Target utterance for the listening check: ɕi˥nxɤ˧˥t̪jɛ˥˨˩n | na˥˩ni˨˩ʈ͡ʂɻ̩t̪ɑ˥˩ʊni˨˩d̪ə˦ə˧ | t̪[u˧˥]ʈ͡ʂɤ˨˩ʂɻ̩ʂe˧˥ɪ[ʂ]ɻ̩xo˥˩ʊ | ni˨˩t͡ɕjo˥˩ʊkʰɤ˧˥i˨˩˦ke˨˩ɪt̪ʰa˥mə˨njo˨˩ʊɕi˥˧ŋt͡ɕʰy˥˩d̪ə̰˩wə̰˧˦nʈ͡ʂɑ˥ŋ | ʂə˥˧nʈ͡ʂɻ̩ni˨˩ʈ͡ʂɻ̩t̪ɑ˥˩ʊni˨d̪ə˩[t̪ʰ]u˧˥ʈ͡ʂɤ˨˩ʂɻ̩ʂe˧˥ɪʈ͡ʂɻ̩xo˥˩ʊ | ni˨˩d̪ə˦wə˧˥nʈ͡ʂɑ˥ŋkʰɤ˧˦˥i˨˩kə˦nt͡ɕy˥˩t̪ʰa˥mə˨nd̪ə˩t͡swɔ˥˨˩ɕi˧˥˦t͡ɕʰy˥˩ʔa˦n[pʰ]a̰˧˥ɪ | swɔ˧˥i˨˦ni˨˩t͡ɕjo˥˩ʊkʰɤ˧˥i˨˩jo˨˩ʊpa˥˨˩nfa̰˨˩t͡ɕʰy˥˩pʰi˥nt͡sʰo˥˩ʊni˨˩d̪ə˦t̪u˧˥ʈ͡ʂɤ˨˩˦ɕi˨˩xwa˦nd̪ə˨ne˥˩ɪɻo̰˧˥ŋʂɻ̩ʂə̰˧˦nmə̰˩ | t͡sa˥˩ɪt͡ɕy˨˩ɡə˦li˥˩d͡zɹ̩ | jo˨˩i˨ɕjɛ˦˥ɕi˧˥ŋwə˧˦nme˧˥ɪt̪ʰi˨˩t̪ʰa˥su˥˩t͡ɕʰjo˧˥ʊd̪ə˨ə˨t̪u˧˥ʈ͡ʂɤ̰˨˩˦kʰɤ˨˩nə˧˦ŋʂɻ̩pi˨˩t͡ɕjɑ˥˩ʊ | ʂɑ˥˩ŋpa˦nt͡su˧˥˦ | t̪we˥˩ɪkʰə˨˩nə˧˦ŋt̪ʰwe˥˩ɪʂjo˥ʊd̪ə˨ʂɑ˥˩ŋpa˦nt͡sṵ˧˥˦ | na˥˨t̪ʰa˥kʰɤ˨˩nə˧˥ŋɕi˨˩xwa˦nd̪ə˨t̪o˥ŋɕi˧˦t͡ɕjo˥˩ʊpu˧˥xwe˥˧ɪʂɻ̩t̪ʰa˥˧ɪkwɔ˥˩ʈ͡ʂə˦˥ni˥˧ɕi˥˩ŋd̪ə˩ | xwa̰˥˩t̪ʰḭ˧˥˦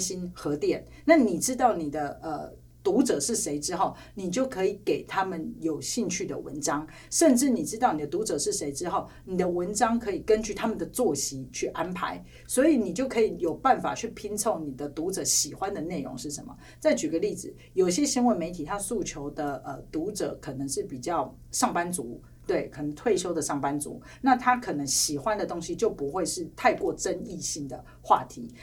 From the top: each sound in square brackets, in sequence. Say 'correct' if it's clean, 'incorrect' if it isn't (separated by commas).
correct, incorrect, incorrect, correct